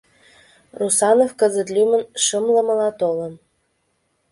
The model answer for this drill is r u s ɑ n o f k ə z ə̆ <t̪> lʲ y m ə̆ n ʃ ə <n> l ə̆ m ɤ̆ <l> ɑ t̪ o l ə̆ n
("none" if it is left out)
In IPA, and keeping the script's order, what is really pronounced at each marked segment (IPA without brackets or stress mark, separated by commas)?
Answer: t̪, m, l